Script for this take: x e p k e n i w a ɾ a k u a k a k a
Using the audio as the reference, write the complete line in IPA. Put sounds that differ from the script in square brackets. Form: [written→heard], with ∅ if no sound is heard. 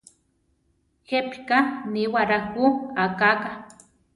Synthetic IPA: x e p k [e→a] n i w a ɾ a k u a k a k a